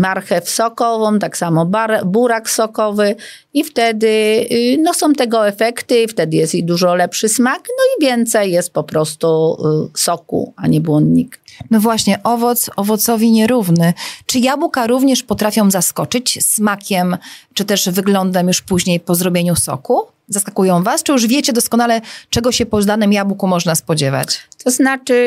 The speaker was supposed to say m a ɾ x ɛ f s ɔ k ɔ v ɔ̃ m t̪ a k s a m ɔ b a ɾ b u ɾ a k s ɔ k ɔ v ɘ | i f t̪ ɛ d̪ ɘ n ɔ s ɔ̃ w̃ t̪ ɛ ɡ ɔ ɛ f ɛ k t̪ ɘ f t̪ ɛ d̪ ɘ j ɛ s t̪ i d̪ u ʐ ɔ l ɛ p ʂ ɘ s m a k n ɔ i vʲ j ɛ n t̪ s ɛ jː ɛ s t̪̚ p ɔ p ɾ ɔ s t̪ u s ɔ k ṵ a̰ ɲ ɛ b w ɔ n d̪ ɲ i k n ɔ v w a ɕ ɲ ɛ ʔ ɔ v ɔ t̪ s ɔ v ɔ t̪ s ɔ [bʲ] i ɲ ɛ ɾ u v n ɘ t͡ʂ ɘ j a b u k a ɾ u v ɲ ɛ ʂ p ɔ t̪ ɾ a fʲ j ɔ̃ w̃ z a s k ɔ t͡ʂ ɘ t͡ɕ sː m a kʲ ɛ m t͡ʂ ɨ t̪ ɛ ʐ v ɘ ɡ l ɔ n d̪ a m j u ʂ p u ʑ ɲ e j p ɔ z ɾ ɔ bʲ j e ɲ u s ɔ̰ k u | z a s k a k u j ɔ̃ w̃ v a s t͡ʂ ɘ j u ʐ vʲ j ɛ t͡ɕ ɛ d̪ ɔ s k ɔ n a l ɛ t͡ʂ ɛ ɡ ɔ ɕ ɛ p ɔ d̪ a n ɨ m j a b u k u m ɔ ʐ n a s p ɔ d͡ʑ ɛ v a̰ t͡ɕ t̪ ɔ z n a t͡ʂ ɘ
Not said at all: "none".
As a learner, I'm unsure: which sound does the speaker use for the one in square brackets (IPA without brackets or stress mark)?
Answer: vʲ